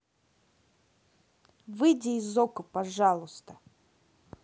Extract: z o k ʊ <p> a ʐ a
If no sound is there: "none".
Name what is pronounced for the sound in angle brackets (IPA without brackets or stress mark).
p